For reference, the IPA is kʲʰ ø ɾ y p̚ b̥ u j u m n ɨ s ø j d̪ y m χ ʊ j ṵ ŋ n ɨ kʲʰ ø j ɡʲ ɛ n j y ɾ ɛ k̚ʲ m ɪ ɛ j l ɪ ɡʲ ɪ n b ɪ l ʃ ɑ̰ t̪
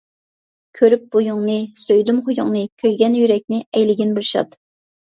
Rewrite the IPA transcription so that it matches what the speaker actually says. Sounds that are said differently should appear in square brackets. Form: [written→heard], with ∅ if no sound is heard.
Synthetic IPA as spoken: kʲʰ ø ɾ y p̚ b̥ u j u [m→ŋ] n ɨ s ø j d̪ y m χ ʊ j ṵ ŋ n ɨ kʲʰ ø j ɡʲ ɛ n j y ɾ ɛ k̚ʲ [m→n] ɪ ɛ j l ɪ ɡʲ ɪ n b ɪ l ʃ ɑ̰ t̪